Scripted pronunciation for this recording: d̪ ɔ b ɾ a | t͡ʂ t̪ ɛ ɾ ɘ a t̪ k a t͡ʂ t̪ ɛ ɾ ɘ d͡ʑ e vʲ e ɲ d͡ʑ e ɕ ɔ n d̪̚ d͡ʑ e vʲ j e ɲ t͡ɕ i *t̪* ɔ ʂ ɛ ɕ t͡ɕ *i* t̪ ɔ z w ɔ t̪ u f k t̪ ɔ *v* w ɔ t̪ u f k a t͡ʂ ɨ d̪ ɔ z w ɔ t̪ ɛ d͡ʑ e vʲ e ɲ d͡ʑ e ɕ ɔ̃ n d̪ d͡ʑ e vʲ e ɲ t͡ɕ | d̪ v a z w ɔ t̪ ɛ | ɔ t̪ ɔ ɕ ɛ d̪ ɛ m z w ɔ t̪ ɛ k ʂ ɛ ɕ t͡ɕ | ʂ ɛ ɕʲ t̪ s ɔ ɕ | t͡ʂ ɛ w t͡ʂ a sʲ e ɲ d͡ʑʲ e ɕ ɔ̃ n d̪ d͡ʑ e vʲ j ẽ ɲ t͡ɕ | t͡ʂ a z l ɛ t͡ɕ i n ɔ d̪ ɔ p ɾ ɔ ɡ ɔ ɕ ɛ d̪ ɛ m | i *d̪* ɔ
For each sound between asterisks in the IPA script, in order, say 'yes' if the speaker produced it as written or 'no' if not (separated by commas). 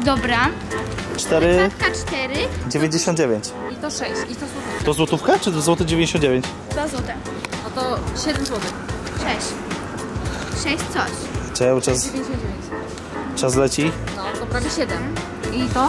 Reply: yes, yes, no, no